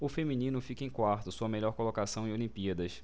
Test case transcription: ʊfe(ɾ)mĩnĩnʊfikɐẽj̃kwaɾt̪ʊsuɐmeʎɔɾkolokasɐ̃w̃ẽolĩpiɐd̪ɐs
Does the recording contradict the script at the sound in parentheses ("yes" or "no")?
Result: yes